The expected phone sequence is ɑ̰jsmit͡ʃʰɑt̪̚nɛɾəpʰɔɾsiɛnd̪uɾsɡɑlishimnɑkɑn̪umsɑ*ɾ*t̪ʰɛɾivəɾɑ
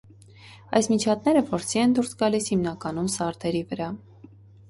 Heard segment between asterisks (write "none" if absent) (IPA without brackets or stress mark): ɾ